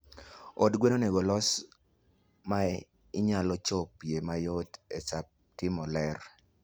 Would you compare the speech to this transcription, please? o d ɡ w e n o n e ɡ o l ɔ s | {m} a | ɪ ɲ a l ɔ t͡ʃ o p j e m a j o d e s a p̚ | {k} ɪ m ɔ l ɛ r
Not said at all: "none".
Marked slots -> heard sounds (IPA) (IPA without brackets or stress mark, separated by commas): m, t